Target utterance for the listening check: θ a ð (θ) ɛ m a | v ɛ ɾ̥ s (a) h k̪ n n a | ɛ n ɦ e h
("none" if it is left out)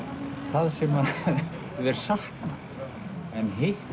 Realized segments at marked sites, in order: s, a

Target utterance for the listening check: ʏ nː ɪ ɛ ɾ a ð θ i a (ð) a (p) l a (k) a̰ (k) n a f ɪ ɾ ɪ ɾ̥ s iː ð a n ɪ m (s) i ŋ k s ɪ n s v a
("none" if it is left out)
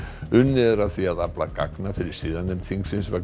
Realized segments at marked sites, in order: ð, p, k, k, θ

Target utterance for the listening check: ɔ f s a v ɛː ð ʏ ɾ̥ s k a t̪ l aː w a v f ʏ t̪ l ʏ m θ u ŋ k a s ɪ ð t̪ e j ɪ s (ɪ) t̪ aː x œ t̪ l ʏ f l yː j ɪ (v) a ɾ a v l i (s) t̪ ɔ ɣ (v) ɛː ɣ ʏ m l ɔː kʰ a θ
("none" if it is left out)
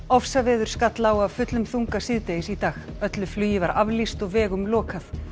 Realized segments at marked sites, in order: i, v, s, v

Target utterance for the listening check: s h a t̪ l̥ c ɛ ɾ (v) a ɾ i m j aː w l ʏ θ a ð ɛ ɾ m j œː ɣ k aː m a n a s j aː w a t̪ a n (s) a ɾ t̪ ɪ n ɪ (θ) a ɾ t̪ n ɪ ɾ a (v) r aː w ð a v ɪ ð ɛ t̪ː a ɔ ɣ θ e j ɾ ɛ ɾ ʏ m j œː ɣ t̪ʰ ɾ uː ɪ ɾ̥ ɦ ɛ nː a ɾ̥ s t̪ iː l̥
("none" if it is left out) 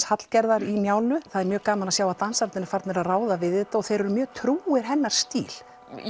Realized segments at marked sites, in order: ð, s, f, ð

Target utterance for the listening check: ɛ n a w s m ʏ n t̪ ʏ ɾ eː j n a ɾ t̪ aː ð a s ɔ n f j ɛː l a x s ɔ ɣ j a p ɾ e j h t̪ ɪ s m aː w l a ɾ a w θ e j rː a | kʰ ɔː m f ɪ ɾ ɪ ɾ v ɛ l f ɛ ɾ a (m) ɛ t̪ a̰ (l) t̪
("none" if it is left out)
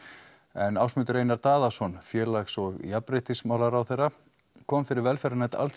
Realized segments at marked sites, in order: n, l

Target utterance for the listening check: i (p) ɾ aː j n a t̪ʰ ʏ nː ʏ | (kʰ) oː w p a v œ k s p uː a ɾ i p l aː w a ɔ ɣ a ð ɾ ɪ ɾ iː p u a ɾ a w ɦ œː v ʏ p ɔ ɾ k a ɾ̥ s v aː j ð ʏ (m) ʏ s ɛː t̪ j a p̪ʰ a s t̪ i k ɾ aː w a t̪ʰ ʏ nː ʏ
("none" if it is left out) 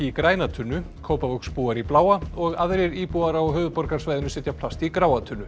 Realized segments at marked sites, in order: k, kʰ, n

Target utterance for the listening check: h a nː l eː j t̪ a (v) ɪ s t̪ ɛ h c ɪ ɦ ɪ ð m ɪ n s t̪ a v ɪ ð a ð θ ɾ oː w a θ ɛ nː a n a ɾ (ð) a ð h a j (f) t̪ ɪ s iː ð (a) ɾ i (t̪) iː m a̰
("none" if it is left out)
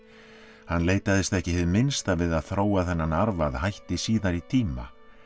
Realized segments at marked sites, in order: ð, v, h, a, t̪ʰ

